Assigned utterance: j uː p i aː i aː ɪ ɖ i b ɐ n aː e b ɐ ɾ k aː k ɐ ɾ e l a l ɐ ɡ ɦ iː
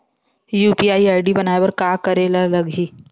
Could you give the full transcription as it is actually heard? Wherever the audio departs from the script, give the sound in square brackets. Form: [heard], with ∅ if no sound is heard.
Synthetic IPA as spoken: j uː p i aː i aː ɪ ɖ i b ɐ n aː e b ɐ ɾ k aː k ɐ ɾ e l a l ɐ ɡ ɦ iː